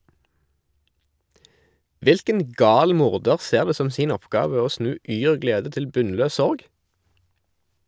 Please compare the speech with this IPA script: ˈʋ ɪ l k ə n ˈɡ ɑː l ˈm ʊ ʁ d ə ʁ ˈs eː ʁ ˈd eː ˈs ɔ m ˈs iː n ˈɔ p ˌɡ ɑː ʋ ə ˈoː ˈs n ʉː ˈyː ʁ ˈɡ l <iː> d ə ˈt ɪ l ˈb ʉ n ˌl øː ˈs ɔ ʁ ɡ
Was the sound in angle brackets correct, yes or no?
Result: no